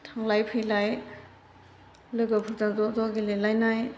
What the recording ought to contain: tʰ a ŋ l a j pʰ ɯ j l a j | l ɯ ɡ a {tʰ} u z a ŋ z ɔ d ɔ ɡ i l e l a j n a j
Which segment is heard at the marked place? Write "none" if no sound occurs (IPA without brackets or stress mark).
pʰ